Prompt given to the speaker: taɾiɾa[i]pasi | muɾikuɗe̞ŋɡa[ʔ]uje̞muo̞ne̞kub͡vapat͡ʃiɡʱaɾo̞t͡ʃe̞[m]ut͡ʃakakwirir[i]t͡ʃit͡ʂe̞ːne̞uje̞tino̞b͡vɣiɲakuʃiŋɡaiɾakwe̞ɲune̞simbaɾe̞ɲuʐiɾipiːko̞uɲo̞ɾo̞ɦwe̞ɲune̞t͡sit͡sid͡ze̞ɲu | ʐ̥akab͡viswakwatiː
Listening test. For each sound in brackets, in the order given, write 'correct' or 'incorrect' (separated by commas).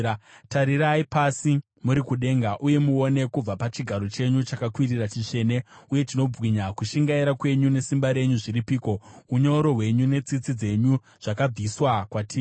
correct, correct, incorrect, incorrect